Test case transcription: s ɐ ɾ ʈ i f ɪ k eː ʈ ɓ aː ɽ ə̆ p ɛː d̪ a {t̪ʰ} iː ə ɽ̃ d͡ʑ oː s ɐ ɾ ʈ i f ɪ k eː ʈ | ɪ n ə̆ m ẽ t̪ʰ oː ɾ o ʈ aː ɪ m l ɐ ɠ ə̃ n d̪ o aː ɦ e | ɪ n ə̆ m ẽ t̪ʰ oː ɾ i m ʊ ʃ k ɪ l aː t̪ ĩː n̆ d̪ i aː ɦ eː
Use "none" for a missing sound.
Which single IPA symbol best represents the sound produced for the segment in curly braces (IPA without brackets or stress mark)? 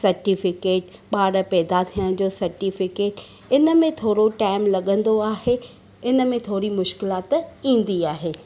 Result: t̪ʰ